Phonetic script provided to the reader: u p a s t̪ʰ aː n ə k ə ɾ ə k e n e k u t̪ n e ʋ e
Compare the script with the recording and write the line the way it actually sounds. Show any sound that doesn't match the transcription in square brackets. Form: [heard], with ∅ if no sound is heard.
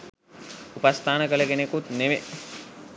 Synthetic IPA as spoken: u p a s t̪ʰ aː n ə k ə [l] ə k e n e k u t̪ n e ʋ e